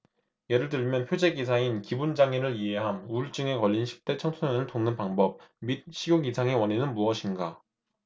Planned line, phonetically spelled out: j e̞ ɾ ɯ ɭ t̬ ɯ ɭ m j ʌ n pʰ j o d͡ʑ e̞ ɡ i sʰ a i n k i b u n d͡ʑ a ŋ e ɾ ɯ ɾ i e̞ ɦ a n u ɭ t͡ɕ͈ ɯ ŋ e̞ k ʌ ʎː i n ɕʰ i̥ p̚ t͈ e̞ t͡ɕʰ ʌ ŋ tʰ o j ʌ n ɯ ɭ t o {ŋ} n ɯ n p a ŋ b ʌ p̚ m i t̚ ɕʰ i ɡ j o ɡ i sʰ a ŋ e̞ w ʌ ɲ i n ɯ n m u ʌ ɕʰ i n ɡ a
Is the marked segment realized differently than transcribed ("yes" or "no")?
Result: no